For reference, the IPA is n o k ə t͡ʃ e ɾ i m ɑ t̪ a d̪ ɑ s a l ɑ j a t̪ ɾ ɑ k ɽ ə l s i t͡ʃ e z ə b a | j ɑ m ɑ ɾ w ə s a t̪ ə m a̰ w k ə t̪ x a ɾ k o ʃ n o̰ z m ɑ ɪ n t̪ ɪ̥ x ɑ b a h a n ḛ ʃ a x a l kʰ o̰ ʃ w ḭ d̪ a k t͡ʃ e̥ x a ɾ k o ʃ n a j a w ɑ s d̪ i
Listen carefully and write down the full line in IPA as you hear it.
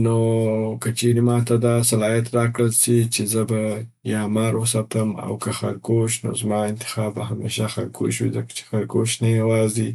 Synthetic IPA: n o k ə t͡ʃ e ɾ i m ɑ t̪ a d̪ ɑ s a l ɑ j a t̪ ɾ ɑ k ɽ ə l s i t͡ʃ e z ə b a | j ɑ m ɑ ɾ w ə s a t̪ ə m a̰ w k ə x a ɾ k o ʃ n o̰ z m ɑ ɪ n t̪ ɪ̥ x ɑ b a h a m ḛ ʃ a x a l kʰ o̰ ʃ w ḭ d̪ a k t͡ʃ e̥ x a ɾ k o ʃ n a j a w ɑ z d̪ i